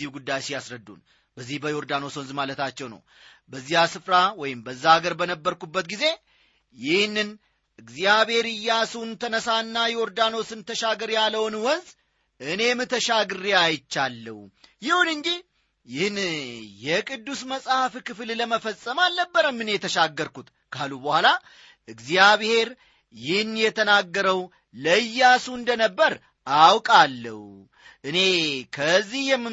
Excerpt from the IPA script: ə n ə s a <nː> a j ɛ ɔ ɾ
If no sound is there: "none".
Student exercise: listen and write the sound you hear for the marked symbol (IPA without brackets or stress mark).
nː